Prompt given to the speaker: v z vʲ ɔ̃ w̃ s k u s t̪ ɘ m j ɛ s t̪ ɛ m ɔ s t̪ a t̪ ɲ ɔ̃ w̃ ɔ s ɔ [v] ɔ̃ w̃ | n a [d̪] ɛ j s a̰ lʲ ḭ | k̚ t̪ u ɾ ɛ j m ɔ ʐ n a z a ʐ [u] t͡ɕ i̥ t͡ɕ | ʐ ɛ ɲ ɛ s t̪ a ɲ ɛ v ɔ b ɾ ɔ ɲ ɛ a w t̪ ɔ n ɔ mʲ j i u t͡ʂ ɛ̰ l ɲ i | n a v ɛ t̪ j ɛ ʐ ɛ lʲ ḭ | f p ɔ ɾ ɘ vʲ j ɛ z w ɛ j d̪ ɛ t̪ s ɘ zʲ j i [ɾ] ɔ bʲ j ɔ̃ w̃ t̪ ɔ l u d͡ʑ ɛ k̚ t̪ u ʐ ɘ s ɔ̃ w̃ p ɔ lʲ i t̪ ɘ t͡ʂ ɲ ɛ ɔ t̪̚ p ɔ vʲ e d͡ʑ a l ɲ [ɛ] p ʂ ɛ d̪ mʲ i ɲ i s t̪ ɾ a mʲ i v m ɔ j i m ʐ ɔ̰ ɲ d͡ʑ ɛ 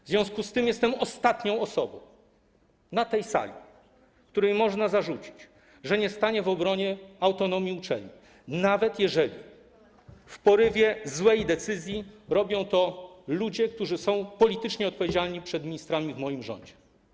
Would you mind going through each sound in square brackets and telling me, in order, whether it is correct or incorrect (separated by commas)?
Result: incorrect, incorrect, correct, correct, incorrect